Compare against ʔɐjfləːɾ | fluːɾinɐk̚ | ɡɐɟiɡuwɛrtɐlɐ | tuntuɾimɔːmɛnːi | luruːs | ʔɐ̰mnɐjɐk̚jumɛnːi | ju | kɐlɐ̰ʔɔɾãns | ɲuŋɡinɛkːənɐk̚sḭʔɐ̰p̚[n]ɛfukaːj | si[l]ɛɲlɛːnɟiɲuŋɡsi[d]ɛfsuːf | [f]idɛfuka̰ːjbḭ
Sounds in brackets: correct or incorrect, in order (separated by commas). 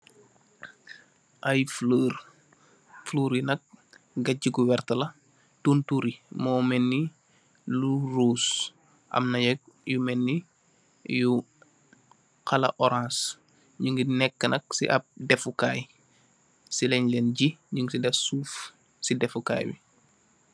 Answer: incorrect, correct, correct, incorrect